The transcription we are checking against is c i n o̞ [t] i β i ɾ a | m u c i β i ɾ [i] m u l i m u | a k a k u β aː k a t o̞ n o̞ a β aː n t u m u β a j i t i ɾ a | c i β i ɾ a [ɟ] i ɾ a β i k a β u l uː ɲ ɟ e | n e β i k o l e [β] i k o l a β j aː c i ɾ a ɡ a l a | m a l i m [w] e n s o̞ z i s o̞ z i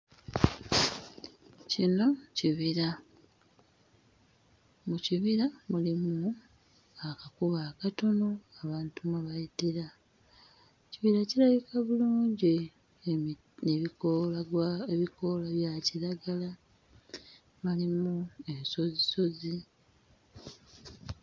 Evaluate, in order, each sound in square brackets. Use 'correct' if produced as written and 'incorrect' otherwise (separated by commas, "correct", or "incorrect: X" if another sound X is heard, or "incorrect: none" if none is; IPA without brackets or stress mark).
incorrect: c, incorrect: a, incorrect: c, correct, incorrect: u